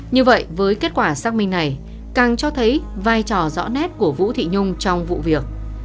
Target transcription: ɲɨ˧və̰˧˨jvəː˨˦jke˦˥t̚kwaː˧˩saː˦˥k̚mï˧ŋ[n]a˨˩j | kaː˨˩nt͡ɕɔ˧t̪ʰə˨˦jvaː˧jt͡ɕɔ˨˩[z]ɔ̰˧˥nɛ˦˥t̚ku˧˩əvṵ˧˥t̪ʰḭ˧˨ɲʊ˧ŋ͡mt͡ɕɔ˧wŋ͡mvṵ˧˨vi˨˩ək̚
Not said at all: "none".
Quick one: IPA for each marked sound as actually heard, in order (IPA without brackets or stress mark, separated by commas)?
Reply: n, z